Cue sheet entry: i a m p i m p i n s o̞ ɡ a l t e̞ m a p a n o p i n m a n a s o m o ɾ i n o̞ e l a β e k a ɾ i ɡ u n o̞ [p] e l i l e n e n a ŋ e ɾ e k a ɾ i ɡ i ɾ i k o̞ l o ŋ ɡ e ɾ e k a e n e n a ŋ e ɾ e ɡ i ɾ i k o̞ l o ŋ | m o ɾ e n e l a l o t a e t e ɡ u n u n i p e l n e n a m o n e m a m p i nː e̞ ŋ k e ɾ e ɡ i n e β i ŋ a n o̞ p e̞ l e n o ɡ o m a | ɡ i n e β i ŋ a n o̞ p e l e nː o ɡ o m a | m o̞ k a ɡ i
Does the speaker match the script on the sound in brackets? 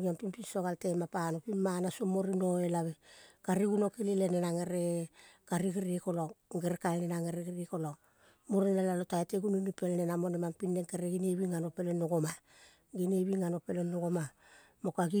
no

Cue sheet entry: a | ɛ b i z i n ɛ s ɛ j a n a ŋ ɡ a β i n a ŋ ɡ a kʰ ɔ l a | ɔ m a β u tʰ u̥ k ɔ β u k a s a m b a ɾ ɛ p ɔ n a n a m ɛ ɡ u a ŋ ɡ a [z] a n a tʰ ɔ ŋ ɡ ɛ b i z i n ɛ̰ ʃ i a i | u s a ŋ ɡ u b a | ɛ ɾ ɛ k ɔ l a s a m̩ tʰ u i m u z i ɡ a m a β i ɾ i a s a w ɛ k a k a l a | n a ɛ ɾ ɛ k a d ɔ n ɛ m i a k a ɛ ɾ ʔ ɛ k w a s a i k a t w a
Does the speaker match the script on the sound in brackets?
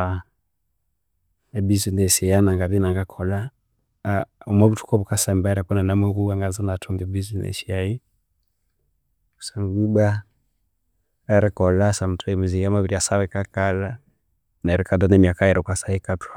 yes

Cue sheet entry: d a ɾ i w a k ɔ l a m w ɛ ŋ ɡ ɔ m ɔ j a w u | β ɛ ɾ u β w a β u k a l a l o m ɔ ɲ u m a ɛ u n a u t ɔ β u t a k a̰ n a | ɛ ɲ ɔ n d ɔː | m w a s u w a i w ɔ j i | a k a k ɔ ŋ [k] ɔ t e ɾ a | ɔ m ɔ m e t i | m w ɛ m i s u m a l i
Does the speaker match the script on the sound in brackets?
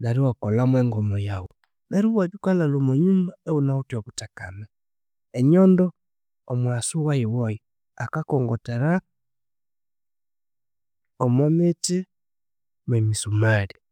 no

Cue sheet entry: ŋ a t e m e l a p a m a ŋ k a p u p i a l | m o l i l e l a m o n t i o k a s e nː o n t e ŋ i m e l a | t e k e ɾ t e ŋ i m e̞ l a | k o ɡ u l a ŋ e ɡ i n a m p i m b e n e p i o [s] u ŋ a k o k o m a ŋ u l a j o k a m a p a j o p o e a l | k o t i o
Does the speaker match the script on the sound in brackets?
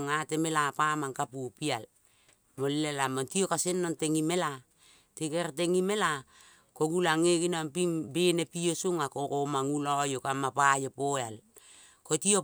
yes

